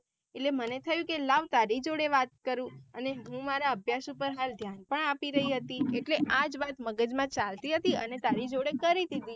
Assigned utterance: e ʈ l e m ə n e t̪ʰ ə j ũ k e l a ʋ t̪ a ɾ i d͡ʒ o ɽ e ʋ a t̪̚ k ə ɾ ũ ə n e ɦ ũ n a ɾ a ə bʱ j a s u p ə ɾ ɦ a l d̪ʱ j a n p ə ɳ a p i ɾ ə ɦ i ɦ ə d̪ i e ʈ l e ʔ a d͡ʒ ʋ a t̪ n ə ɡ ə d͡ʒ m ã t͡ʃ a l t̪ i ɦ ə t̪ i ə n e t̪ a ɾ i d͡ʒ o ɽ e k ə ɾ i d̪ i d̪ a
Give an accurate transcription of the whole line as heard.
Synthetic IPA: e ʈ l e m ə n e t̪ʰ ə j ũ k e l a ʋ t̪ a ɾ i d͡ʒ o ɽ e ʋ a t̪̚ k ə ɾ ũ ə n e ɦ ũ m a ɾ a ə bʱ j a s u p ə ɾ ɦ a l d̪ʱ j a n p ə ɳ a p i ɾ ə ɦ i ɦ ə t̪ i e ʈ l e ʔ a d͡ʒ ʋ a t̪ m ə ɡ ə d͡ʒ m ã t͡ʃ a l t̪ i ɦ ə t̪ i ə n e t̪ a ɾ i d͡ʒ o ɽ e k ə ɾ i d̪ i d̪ i